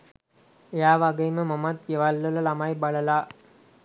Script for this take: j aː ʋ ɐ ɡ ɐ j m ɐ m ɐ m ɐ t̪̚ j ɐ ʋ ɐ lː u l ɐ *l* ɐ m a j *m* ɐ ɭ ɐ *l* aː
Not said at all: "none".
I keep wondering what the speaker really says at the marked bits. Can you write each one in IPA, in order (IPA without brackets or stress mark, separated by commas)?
l, b, l